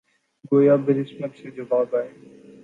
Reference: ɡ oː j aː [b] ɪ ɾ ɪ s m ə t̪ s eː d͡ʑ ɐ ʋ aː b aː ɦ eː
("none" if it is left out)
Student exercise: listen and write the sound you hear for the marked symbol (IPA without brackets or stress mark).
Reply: b